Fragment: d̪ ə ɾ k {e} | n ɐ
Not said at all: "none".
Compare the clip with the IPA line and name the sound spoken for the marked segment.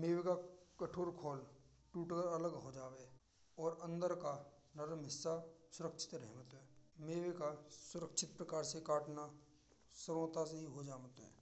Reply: a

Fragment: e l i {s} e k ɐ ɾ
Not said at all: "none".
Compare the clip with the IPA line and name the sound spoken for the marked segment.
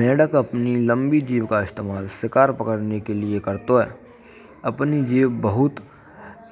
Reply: none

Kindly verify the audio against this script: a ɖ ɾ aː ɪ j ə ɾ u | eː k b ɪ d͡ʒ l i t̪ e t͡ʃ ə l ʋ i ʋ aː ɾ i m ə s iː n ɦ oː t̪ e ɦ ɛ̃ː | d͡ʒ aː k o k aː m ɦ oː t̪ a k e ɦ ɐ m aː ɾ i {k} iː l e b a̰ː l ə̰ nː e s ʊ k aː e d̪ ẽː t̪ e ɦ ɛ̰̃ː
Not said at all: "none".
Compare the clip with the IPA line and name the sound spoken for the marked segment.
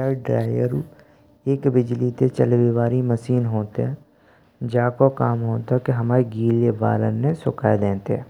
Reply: ɡ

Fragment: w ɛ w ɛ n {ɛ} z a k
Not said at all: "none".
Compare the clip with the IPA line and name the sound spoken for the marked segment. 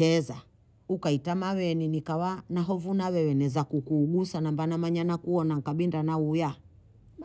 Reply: ɛ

